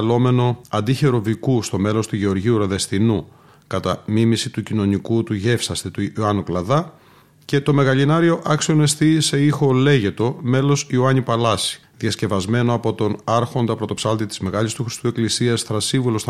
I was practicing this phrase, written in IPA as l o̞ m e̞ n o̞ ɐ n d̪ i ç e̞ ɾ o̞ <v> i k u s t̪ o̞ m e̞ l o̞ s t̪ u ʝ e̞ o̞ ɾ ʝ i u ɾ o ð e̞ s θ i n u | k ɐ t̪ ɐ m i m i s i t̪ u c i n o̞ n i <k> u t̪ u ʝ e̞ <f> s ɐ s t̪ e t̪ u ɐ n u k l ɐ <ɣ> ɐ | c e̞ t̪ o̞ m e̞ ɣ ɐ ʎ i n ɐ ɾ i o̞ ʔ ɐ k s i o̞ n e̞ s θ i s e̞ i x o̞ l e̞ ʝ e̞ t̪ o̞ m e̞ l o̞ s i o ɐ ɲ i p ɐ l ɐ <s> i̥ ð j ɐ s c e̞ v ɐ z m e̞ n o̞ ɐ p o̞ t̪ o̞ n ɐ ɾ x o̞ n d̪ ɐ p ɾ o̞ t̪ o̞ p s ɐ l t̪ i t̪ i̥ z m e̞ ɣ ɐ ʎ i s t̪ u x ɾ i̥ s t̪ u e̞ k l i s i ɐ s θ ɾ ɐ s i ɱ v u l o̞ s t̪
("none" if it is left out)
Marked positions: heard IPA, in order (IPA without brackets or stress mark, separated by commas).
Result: v, k, f, ð, s